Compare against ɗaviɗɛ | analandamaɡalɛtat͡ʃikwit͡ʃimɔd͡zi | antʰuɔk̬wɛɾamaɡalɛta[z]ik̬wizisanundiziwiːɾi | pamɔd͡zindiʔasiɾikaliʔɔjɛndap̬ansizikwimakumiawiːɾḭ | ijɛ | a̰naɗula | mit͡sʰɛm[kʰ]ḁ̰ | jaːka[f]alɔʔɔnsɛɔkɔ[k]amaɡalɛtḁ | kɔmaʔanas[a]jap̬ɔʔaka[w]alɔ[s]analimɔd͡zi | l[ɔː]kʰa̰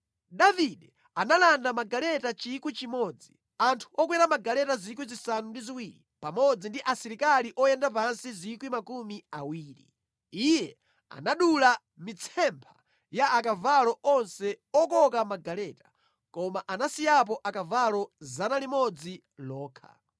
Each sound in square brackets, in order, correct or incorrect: correct, incorrect: pʰ, incorrect: v, correct, incorrect: i, incorrect: v, incorrect: z, correct

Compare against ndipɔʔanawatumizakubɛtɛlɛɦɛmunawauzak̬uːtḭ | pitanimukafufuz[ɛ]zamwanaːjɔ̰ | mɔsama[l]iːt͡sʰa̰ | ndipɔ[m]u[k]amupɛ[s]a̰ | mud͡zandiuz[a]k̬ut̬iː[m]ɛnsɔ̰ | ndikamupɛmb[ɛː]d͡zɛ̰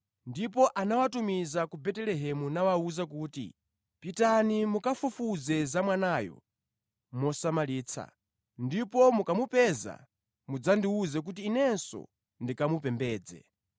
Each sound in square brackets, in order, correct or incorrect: correct, correct, correct, correct, incorrect: z, incorrect: ɛ, incorrect: n, correct

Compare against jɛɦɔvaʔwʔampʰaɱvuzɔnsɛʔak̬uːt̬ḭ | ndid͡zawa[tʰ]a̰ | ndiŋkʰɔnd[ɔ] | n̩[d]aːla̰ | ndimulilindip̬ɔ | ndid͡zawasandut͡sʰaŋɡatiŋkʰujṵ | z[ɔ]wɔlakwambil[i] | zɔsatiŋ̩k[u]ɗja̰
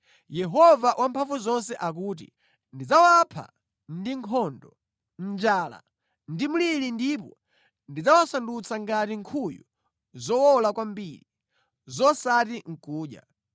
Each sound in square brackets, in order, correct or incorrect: incorrect: pʰ, correct, incorrect: d͡ʒ, correct, correct, incorrect: uː

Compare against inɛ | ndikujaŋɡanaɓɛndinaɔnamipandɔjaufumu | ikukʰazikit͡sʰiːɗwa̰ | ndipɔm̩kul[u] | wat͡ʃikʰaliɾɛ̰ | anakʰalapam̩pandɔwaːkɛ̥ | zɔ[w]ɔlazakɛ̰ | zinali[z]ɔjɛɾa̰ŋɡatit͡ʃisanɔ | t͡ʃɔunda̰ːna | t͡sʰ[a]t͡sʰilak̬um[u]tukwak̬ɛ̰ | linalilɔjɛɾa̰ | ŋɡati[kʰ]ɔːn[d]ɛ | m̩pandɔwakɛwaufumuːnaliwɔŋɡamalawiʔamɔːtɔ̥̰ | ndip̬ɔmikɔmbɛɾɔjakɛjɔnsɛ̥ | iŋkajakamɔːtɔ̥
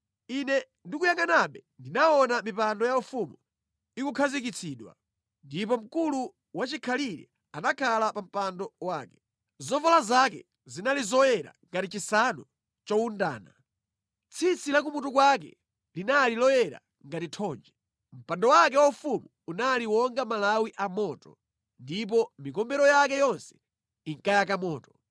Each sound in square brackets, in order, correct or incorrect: correct, incorrect: v, correct, incorrect: i, correct, incorrect: tʰ, incorrect: d͡ʒ

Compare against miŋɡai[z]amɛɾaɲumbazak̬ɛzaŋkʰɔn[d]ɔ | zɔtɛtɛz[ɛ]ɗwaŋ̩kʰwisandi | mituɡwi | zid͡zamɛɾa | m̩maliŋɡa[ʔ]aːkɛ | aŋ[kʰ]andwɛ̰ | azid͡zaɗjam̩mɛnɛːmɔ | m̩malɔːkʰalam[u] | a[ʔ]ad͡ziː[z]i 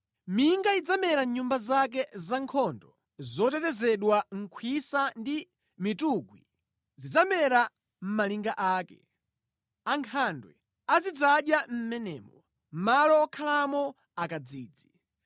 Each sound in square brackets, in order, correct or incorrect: incorrect: d͡z, correct, correct, correct, correct, incorrect: ɔ, incorrect: k, incorrect: d͡z

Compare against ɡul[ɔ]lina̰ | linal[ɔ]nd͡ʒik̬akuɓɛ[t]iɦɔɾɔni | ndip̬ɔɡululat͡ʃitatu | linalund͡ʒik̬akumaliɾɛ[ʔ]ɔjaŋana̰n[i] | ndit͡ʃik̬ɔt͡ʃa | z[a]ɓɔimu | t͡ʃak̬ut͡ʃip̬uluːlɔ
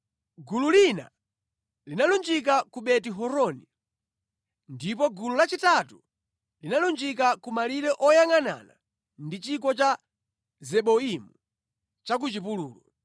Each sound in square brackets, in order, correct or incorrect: incorrect: u, incorrect: u, correct, correct, incorrect: a, incorrect: ɛ

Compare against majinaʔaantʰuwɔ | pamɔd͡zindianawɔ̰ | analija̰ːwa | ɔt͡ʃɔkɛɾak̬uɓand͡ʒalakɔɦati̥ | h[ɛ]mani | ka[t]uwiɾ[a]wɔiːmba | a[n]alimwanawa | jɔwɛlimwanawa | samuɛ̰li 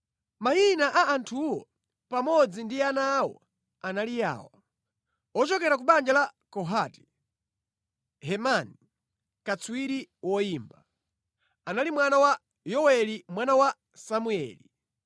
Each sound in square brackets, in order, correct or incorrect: correct, incorrect: t͡s, incorrect: i, correct

